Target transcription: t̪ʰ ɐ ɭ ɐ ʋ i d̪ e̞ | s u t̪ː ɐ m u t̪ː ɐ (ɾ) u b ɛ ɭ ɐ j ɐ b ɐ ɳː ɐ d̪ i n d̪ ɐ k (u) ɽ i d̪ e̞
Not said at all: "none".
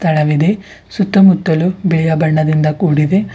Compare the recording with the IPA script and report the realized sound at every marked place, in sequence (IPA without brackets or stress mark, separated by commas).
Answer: l, uː